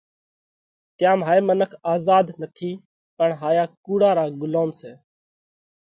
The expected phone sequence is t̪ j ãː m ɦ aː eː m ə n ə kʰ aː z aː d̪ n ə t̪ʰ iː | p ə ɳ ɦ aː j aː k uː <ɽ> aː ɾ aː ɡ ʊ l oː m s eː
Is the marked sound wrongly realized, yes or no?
no